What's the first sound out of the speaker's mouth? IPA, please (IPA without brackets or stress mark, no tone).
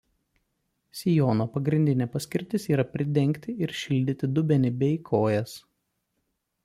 sʲ